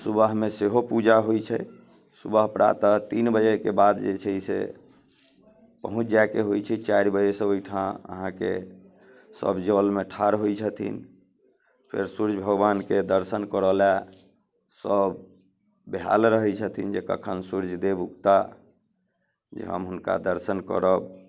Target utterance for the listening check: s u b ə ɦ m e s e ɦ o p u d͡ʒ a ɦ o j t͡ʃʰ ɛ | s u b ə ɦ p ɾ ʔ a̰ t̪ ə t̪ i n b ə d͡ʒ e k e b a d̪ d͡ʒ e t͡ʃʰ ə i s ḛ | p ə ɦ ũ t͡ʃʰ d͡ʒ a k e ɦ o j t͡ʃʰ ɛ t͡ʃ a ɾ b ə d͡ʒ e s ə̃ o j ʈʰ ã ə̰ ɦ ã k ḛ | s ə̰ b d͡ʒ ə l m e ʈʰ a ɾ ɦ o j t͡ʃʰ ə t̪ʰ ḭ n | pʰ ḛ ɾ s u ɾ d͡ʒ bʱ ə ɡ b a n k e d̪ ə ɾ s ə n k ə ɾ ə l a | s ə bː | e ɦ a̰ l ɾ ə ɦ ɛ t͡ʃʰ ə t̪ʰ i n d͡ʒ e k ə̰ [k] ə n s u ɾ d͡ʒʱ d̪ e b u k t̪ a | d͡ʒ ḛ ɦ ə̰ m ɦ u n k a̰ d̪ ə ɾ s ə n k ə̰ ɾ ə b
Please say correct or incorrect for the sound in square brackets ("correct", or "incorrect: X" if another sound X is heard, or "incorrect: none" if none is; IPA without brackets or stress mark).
incorrect: kʰ